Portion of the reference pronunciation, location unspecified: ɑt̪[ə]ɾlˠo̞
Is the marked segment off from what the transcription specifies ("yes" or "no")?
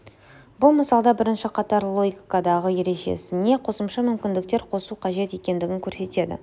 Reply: yes